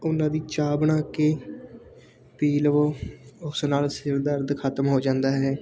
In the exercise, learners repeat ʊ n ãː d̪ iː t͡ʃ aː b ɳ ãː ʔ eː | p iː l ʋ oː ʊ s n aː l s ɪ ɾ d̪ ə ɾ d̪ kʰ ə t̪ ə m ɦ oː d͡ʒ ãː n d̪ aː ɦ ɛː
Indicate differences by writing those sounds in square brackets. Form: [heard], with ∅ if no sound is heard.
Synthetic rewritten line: ʊ n ãː d̪ iː t͡ʃ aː b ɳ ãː [k] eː | p iː l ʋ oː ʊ s n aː l s ɪ ɾ d̪ ə ɾ d̪ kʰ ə t̪ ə m ɦ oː d͡ʒ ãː n d̪ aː ɦ ɛː